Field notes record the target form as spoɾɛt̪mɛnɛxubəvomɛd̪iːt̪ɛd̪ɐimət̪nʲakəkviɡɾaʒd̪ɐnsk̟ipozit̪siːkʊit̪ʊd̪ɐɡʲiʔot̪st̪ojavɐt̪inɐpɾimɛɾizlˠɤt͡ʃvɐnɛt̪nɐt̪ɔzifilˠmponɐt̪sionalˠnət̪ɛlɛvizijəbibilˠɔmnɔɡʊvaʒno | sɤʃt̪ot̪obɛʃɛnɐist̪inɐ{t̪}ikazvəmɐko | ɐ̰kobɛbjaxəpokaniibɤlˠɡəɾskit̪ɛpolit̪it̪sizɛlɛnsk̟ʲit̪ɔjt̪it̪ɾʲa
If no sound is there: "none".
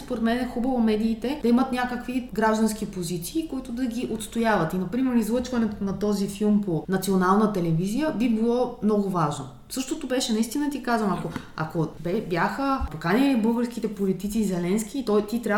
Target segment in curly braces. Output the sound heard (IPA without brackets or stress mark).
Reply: t̪